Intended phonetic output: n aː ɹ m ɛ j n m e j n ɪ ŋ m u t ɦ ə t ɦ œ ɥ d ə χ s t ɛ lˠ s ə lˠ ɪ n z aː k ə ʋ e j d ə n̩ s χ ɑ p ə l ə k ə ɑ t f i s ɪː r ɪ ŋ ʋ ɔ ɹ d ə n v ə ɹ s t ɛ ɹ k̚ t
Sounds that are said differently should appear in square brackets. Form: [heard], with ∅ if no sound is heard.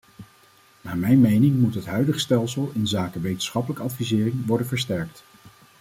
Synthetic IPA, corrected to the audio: n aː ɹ m ɛ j n m e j n ɪ ŋ m u t ɦ ə t ɦ œ ɥ d ə χ s t ɛ lˠ s ə lˠ ɪ n z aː k ə ʋ e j [t] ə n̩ s χ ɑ p ə l ə k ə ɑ t f i [z] ɪː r ɪ ŋ ʋ ɔ ɹ d ə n v ə ɹ s t ɛ ɹ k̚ t